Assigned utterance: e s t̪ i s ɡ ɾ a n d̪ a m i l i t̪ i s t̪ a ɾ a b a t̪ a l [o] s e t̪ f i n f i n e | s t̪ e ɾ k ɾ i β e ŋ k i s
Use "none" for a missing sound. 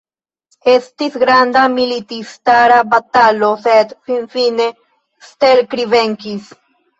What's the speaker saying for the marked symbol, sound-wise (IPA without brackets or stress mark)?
o